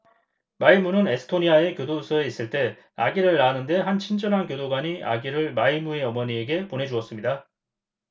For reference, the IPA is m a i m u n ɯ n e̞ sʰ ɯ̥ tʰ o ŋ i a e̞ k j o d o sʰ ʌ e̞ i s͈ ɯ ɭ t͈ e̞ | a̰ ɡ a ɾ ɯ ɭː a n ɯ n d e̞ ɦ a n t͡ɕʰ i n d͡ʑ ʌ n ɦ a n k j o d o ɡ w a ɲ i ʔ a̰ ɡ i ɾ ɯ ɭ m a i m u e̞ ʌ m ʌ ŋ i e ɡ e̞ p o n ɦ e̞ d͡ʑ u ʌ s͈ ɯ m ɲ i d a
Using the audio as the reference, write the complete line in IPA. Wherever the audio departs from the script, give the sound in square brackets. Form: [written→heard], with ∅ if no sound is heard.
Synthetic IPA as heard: m a i m u n ɯ n e̞ sʰ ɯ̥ tʰ o [ŋ→ɲ] i a e̞ k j o d o sʰ ʌ e̞ i s͈ ɯ ɭ t͈ e̞ | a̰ ɡ [a→i] ɾ ɯ ɭː a n ɯ n d e̞ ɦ a n t͡ɕʰ i n d͡ʑ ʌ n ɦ a n k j o d o ɡ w a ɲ i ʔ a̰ ɡ i ɾ ɯ ɭ m a i m u e̞ ʌ m ʌ [ŋ→ɲ] i e ɡ e̞ p o n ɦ e̞ d͡ʑ u ʌ s͈ ɯ m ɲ i d a